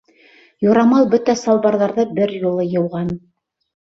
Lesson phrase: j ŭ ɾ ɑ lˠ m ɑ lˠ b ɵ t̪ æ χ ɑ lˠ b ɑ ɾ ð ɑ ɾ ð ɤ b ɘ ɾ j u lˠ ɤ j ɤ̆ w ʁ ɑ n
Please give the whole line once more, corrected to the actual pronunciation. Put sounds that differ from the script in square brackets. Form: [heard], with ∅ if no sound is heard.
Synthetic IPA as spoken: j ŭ ɾ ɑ [∅] m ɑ lˠ b ɵ t̪ æ [s] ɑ lˠ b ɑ ɾ ð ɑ ɾ ð ɤ b ɘ ɾ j u lˠ ɤ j ɤ̆ w ʁ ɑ n